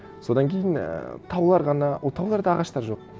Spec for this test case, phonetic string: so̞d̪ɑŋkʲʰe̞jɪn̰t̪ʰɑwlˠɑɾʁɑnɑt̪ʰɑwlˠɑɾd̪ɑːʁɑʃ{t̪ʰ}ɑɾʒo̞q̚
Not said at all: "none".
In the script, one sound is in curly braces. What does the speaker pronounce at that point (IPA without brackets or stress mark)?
t̪